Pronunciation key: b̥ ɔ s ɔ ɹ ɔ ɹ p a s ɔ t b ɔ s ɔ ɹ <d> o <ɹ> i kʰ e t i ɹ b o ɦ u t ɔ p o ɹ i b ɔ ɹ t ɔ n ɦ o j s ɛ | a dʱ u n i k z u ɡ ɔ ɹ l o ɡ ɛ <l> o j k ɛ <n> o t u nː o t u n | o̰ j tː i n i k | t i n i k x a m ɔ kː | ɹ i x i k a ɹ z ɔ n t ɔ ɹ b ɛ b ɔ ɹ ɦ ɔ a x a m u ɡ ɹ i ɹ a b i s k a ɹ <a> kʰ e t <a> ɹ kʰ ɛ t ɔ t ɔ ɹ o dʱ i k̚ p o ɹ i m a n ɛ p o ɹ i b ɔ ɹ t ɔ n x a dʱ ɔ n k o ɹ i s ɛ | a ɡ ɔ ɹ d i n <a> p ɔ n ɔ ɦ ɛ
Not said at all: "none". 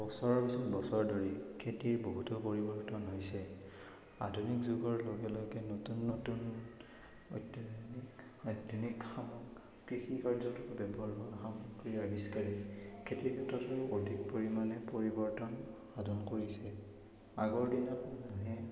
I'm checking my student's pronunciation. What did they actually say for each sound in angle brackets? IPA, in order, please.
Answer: d, ɹ, l, n, i, i, a

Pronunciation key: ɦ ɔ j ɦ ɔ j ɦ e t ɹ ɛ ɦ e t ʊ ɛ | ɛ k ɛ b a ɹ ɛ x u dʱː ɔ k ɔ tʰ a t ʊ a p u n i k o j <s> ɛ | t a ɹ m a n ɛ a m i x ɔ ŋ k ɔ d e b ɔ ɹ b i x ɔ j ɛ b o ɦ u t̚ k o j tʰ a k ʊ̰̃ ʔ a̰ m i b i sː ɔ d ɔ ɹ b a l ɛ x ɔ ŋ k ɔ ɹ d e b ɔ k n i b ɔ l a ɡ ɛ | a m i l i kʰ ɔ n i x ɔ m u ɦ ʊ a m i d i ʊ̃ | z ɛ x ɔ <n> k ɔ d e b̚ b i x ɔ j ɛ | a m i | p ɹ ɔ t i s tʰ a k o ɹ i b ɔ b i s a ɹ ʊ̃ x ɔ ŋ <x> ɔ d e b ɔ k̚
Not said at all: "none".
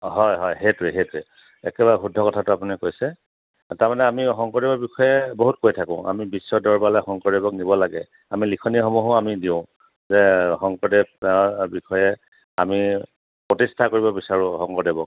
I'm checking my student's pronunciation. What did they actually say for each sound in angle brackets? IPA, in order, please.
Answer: s, ŋ, k

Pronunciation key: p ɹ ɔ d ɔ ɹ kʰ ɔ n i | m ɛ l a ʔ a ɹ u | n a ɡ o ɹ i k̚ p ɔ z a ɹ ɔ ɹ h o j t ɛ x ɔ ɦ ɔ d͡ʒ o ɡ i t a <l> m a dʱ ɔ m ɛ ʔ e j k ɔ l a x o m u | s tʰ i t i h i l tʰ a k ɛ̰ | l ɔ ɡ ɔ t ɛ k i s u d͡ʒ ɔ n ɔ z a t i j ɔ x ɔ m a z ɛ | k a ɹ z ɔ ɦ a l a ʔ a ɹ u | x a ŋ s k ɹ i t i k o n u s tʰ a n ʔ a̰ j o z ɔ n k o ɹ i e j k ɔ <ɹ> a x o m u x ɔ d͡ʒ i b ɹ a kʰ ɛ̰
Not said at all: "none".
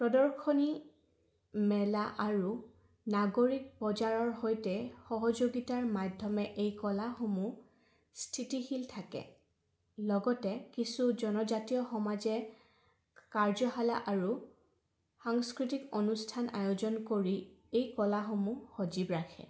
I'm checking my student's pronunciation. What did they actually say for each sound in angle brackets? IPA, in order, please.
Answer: ɹ, l

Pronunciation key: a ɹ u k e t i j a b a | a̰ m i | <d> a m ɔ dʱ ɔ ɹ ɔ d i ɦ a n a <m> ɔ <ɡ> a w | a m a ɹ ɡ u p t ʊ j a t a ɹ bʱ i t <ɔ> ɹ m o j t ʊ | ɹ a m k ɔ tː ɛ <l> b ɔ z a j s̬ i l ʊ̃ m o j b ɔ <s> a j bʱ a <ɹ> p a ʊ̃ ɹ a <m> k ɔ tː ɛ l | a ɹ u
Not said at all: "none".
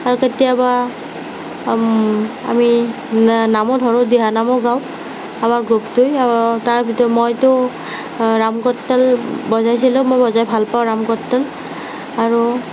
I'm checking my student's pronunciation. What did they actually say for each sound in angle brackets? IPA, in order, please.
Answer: n, m, ɡ, ɔ, l, z, l, m

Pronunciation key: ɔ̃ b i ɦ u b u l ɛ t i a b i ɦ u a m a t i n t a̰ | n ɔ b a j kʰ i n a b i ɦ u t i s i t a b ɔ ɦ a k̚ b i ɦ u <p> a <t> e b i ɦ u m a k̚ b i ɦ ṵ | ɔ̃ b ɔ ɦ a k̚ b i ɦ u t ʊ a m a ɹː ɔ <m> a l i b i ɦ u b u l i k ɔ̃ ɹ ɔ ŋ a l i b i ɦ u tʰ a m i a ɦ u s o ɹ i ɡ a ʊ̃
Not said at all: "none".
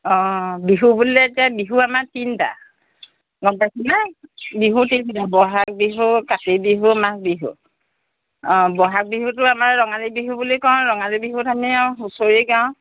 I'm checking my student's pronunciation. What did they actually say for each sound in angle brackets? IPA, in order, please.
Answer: k, t, ŋ

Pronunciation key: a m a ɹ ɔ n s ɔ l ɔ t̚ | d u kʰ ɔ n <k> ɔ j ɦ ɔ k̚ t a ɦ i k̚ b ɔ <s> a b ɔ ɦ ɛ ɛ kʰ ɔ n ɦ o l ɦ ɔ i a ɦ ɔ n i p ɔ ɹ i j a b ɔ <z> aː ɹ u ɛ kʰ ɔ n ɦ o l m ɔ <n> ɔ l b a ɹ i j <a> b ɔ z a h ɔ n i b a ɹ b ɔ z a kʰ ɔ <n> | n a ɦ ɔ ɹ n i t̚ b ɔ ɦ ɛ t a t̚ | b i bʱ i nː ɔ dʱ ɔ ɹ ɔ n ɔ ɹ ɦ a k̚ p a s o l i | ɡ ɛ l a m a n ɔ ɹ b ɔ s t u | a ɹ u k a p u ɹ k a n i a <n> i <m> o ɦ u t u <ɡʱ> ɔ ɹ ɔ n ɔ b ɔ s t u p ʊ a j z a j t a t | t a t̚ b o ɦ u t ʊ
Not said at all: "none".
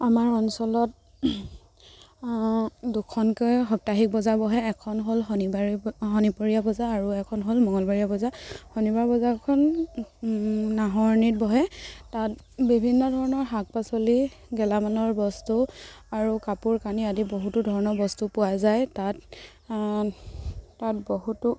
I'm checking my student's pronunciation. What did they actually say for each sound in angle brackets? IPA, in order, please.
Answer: k, z, z, ŋ, a, n, d, b, dʱ

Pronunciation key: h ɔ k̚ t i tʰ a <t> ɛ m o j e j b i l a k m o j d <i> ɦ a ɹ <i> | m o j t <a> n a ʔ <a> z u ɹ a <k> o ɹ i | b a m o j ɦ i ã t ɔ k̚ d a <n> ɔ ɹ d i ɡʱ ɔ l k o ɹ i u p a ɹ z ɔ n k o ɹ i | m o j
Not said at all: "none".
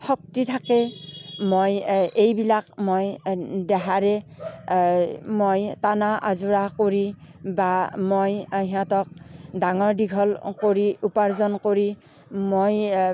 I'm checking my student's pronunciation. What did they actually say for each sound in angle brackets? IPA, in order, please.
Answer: k, ɛ, ɛ, a, a, k, ŋ

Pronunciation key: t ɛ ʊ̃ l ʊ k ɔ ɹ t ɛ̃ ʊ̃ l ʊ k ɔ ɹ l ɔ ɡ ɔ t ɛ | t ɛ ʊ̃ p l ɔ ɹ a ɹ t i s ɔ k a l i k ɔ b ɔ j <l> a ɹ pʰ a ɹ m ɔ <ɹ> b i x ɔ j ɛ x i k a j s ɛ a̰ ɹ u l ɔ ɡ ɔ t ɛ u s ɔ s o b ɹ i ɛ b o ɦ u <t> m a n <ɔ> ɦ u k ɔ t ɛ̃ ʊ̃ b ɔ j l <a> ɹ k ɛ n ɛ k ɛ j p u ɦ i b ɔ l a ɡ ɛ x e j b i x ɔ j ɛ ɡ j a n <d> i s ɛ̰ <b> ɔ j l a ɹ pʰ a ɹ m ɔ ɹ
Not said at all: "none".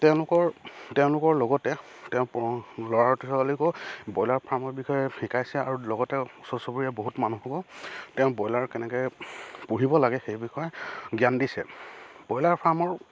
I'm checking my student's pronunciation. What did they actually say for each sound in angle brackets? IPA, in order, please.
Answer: l, ɹ, t, u, a, d, b

